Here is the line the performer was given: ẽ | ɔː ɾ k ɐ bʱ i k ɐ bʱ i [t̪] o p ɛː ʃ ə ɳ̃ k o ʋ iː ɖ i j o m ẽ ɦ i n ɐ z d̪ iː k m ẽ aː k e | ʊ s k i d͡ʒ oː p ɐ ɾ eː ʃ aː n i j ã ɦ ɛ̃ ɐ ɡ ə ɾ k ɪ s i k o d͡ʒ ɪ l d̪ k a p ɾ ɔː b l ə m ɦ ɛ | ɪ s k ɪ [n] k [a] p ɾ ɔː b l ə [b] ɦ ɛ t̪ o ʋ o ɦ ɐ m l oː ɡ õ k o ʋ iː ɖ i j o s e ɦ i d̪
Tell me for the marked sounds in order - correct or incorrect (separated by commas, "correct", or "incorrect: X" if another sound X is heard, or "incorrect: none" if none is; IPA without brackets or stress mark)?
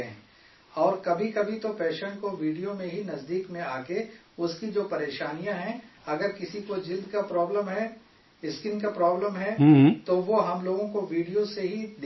correct, correct, correct, incorrect: m